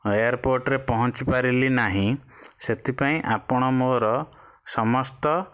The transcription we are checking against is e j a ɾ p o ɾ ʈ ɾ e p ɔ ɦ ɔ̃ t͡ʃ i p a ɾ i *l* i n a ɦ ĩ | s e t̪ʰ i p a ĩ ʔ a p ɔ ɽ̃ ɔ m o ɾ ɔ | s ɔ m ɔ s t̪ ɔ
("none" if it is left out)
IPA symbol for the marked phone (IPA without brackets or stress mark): l